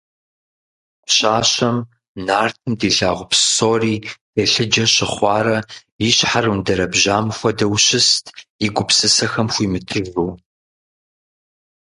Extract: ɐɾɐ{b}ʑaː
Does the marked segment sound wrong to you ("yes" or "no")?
no